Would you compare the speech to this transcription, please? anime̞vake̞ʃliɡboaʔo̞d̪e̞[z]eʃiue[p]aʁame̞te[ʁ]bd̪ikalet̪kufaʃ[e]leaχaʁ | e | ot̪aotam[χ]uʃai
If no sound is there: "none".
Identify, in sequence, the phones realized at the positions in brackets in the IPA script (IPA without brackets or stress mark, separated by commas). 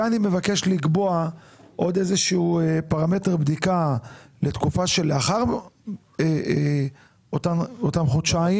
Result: z, p, ʁ, e, χ